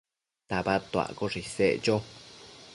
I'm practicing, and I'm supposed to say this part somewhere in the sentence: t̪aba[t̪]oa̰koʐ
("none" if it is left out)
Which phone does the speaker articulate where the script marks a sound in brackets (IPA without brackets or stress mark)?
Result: t̪